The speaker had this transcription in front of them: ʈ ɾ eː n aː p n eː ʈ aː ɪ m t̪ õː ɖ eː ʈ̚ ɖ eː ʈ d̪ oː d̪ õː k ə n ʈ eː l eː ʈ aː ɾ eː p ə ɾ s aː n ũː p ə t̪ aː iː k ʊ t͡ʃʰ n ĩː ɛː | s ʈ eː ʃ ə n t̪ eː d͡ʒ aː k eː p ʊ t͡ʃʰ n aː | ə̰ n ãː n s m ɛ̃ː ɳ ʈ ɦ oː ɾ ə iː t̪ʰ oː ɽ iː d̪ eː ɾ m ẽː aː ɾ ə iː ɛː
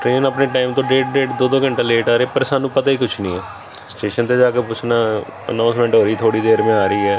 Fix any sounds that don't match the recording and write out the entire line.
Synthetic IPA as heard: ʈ ɾ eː n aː p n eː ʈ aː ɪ m t̪ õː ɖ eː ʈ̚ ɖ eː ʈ d̪ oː d̪ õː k ə ɳ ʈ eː l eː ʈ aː ɾ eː p ə ɾ s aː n ũː p ə t̪ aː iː k ʊ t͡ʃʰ n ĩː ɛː | s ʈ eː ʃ ə n t̪ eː d͡ʒ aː k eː p ʊ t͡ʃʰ n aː | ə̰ n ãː n s m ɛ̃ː ɳ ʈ ɦ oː ɾ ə iː t̪ʰ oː ɽ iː d̪ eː ɾ m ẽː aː ɾ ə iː ɛː